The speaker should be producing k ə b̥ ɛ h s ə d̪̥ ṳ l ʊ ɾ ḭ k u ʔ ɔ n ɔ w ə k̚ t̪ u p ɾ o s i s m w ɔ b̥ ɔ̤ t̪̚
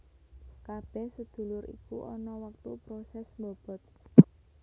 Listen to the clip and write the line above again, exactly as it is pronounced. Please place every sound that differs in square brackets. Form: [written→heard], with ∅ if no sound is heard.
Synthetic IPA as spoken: k [ə→a] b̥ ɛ h s ə d̪̥ ṳ l ʊ ɾ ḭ k u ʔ ɔ n ɔ w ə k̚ t̪ u p ɾ o s [i→ɛ] s m [w→b] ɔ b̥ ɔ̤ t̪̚